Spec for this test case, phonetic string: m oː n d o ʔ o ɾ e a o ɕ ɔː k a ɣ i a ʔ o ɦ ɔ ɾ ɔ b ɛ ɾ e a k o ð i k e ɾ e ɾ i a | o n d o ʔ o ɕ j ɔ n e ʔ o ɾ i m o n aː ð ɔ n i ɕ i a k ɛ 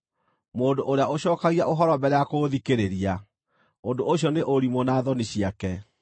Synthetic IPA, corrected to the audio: m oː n d o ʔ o ɾ e a o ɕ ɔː k a ɣ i a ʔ o ɦ ɔ ɾ ɔ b ɛ ɾ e a k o ð i k e ɾ e ɾ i a | o n d o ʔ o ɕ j ɔ n e ʔ o ɾ i m o n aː ð ɔ n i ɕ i a k ɛ

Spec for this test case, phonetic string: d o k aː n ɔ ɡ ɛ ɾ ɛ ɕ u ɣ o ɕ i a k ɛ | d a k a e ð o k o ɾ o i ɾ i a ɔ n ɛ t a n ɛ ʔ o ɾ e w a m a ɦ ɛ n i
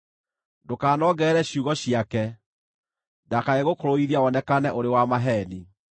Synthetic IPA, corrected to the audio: d o k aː n ɔ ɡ ɛ ɾ ɛ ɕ u ɣ ɔ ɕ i a k ɛ | d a k a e ɣ o k o ɾ o i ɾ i a ɔ n ɛ k a n ɛ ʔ o ɾ e w a m a ɦ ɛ n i

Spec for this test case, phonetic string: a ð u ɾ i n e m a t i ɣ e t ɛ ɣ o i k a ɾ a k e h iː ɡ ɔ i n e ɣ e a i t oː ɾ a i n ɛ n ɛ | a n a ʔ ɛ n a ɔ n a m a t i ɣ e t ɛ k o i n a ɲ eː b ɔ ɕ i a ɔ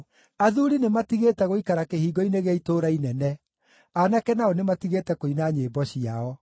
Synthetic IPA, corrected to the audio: a ð u ɾ i n e m a t i ɣ e t ɛ ɣ o i k a ɾ a k e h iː ɡ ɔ i n e ɣ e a i t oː ɾ a i n ɛ n ɛ | a n a k ɛ n a ɔ n e m a t i ɣ e t ɛ k o i n a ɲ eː b ɔ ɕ i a ɔ

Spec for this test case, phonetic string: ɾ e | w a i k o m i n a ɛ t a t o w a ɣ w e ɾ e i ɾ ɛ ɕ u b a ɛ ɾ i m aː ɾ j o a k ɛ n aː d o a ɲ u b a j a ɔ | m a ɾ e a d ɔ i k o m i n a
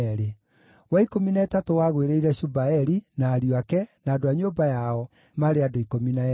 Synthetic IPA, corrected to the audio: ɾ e | w a i k o m i n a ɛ t a t o w a ɣ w e ɾ e i ɾ ɛ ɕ u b a ɛ ɾ i n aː ɾ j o a k ɛ n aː d o a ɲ o b a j a ɔ | m a ɾ e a d o i k o m i n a

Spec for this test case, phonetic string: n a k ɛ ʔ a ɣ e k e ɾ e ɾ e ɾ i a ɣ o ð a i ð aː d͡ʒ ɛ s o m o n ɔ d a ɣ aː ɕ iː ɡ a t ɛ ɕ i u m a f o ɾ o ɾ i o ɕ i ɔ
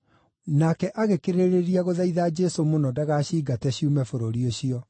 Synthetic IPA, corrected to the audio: n a k ɛ ʔ a ɣ e k e ɾ e ɾ e ɾ i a ɣ o ð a i ð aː d͡ʒ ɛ s o m o n ɔ d a ɣ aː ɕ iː ɡ a t ɛ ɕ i u m ɛ f o ɾ o ɾ i o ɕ i ɔ

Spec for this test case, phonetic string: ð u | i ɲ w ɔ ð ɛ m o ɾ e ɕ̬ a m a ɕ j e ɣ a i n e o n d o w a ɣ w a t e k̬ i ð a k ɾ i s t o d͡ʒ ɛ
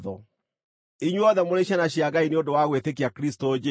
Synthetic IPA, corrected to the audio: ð ɔ | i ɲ w ɔ ð ɛ m o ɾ e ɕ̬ a n a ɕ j a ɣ a i n e o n d o w a ɣ w e t e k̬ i a k ɾ i s t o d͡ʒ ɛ

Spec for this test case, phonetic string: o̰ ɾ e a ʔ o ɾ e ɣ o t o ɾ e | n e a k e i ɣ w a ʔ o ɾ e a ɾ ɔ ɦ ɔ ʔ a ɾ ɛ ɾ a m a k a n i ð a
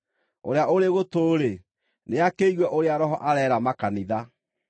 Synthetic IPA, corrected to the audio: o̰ ɾ e a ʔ o ɾ e ɣ o t o ɾ e | n e a k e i ɣ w ɛ ʔ o ɾ e a ɾ ɔ ɦ ɔ ʔ a ɾ ɛ ɾ a m a k a n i ð a

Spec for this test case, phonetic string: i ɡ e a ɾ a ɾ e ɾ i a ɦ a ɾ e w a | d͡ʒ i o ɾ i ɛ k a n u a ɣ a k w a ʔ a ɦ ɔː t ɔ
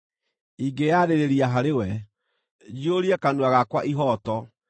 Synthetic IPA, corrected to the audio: i ɡ e a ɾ e ɾ e ɾ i a ɦ a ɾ e w ɛ | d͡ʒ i o ɾ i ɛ k a n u a ɣ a k w a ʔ i ɦ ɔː t ɔ

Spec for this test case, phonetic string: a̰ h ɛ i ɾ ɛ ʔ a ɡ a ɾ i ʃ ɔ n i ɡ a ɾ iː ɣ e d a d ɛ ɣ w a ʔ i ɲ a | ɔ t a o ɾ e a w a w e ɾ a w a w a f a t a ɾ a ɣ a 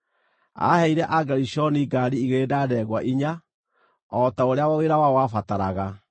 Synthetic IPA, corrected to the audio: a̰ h ɛ i ɾ ɛ ʔ a ɡ a ɾ i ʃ ɔ n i ɡ a ɾ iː ɣ e d a d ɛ ɣ w a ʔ i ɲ a | ɔ t a o ɾ e a w a w e ɾ a w a w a f a t a ɾ a ɣ a

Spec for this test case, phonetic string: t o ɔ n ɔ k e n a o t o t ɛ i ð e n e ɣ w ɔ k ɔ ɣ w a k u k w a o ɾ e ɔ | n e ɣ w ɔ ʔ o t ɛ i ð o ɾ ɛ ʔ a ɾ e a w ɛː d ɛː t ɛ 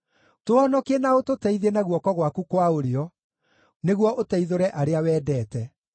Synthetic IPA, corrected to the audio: t o ɔ n ɔ k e n a o t o t ɛ i ð e n a ɣ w ɔ k ɔ ɣ w a k u k w a o ɾ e ɔ | n e ɣ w ɔ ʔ o t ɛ i ð o ɾ ɛ ʔ a ɾ e a w ɛː d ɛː t ɛ

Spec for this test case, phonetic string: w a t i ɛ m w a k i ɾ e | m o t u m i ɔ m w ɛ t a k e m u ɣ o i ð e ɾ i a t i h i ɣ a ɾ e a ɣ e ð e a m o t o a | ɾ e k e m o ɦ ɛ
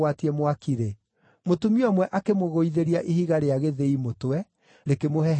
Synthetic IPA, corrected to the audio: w a t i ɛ m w a k i ɾ e | m o t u m i ɔ m w ɛ ʔ a k e m o ɣ o i ð e ɾ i a ʔ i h i ɣ a ɾ e a ɣ e ð e i m o t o ɛ | ɾ e k e m o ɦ ɛ

